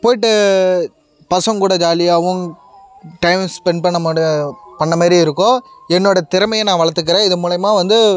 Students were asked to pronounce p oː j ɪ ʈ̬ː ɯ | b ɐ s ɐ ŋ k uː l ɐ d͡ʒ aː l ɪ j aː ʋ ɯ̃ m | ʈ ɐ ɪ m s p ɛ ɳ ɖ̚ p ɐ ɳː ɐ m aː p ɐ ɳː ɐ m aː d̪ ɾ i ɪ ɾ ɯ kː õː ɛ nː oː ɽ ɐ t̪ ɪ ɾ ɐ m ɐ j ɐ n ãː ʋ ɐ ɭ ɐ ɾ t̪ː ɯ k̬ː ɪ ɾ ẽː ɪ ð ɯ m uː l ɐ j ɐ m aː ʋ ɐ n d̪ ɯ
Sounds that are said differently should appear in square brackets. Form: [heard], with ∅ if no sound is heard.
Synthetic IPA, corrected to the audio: p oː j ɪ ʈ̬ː ɯ | [p] ɐ s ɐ ŋ k uː [ɽ] ɐ d͡ʒ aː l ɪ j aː ʋ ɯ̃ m | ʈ ɐ ɪ m s p ɛ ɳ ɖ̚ p ɐ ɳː ɐ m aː p ɐ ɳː ɐ m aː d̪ ɾ i ɪ ɾ ɯ kː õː ɛ nː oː ɽ ɐ t̪ ɪ ɾ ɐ m ɐ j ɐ n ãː ʋ ɐ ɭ ɐ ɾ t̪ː ɯ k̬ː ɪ ɾ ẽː ɪ ð ɯ m uː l ɐ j ɐ m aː ʋ ɐ n d̪ ɯ